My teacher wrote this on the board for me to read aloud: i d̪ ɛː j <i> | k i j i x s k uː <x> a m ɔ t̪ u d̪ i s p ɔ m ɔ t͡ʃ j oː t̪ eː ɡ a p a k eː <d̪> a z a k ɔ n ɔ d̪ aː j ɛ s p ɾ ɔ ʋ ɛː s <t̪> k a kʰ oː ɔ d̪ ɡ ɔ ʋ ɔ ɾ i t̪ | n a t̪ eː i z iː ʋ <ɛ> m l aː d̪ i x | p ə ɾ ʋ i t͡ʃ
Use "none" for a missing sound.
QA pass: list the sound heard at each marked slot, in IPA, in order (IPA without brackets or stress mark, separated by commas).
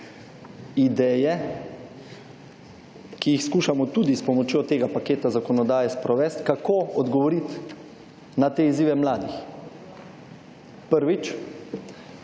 ɛ, ʃ, t̪, t̪, ɛ